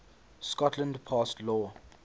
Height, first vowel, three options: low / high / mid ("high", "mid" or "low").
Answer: mid